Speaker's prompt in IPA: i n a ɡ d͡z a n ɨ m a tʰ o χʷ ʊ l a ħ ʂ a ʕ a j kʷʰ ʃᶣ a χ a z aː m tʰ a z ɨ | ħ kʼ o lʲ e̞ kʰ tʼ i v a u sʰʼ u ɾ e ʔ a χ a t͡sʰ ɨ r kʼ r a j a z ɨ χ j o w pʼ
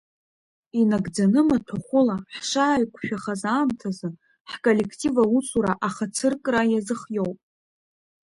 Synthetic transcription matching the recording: i n a ɡ d͡z a n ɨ m a tʰ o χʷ ʊ l a ħ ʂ a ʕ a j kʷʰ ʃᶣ a χ a z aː m tʰ a z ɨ | ħ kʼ o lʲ e̞ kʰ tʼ i v a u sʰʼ u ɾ a ʔ a χ a t͡sʰ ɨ r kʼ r a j a z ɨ χ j o w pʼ